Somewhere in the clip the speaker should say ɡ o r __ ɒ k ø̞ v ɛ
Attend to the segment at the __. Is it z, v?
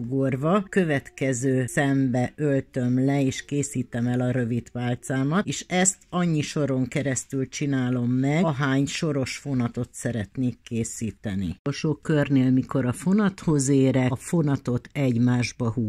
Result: v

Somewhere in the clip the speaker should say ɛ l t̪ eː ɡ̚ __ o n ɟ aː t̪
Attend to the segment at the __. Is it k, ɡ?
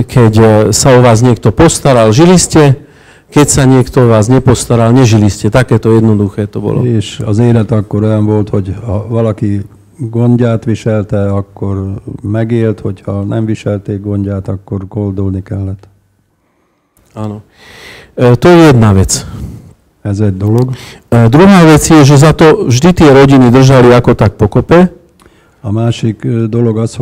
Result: ɡ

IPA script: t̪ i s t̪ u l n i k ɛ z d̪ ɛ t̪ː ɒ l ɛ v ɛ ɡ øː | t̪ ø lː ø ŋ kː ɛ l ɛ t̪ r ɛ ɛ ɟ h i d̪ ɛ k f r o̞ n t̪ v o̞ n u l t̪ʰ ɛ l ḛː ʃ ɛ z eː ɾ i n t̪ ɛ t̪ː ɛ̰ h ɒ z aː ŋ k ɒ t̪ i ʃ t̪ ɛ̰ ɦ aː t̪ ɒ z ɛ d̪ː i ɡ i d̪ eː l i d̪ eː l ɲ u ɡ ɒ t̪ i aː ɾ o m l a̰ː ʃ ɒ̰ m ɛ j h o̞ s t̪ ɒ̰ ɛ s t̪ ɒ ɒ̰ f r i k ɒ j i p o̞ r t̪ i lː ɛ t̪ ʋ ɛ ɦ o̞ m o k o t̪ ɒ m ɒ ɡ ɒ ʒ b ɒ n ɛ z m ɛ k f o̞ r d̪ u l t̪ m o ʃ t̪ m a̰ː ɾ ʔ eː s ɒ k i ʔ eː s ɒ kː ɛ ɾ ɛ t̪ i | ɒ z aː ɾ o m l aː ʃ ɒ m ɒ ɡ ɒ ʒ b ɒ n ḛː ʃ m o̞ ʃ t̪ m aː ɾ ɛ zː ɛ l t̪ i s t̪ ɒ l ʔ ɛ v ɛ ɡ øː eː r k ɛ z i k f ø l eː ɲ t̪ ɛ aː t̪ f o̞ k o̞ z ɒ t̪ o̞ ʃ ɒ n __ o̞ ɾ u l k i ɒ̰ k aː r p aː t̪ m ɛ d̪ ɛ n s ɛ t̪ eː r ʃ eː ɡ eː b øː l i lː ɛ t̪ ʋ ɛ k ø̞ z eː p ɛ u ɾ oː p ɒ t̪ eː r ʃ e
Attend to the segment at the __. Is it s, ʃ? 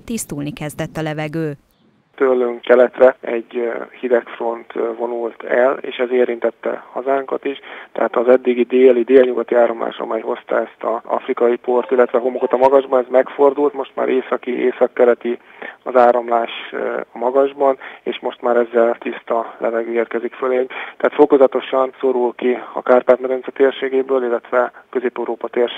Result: s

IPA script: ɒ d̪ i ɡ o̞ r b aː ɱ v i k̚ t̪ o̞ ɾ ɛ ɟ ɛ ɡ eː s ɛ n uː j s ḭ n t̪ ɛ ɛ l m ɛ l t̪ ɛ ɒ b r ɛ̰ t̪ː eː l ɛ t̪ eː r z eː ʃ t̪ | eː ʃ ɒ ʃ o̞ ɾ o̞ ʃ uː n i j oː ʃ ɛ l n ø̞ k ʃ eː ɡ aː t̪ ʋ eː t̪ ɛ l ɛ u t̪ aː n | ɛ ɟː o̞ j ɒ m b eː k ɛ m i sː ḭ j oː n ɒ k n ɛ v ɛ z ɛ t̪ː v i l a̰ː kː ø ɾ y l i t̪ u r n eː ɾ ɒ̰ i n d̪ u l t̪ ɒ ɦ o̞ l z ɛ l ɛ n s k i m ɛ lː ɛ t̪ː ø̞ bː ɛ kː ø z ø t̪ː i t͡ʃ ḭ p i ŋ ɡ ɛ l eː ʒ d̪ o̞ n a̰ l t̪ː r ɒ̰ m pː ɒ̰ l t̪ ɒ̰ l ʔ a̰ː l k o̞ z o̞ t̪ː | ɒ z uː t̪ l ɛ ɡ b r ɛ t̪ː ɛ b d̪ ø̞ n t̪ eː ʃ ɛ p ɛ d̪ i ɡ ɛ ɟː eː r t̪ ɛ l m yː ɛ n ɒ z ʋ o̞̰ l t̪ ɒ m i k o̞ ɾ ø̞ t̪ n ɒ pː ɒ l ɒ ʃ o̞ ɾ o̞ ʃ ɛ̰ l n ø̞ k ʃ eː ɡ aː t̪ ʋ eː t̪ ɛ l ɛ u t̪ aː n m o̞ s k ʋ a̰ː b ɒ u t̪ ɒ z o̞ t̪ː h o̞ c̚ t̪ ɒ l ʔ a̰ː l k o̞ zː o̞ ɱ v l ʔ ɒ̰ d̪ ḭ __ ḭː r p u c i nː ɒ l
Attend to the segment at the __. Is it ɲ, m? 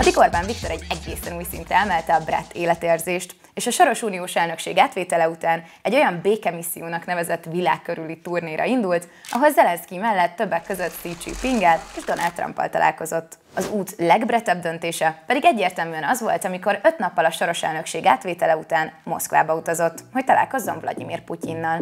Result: m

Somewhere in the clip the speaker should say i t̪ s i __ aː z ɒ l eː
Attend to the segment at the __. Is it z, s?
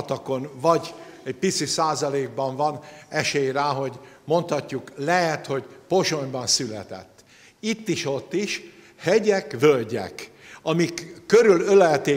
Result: s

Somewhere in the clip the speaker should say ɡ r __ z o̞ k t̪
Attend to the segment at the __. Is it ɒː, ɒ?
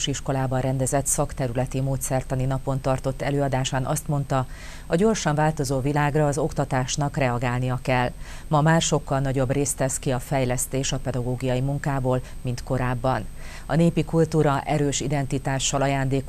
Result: ɒː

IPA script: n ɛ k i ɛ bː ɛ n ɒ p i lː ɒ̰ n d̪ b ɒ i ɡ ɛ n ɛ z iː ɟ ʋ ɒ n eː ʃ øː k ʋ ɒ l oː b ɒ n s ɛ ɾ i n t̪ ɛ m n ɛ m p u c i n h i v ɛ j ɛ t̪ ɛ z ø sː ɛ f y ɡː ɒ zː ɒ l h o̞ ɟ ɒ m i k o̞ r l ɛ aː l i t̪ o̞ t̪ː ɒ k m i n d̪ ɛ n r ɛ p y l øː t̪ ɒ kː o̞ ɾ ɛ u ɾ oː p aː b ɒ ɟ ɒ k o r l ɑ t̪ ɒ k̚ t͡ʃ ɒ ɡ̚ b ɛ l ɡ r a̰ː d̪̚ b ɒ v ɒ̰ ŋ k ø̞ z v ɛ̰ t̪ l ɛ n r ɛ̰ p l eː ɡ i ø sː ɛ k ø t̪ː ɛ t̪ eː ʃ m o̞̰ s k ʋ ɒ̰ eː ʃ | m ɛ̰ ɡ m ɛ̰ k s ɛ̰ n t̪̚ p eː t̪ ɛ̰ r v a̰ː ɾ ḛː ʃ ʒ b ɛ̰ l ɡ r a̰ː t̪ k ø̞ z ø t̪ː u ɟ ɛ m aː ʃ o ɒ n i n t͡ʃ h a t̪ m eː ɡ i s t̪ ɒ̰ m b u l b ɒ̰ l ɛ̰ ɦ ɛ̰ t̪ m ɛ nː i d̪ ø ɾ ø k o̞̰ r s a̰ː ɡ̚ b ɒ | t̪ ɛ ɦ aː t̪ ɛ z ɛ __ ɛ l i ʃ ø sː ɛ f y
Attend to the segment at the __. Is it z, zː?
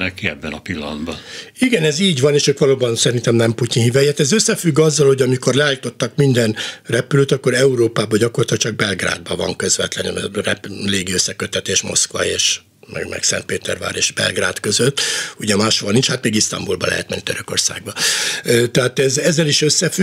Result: zː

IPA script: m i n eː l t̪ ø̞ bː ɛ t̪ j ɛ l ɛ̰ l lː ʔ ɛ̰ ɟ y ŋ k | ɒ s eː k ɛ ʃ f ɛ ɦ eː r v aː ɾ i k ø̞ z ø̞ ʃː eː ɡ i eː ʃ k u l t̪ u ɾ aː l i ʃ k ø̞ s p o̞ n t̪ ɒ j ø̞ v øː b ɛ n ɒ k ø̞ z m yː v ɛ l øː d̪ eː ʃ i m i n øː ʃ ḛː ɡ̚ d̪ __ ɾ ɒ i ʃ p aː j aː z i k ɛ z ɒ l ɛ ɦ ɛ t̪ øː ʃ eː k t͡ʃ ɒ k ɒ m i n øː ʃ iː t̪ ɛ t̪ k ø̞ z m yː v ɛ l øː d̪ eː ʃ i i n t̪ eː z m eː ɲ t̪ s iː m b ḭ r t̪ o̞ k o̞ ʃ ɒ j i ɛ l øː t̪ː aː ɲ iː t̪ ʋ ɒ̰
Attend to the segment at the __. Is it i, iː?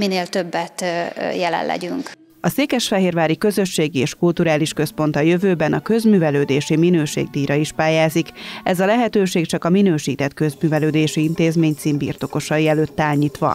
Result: iː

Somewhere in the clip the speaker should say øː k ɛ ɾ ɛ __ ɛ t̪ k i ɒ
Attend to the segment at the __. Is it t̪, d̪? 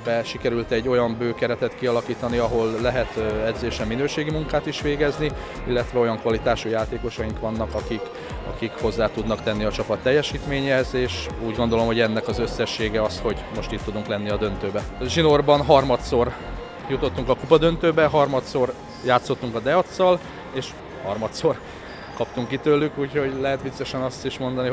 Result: t̪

